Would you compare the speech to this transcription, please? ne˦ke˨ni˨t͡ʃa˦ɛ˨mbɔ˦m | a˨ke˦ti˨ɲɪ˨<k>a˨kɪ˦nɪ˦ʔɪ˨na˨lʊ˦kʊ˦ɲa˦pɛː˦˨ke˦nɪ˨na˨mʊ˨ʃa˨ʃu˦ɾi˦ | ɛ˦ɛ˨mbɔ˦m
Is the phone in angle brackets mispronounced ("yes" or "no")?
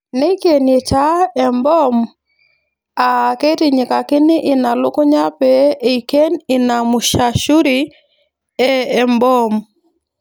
no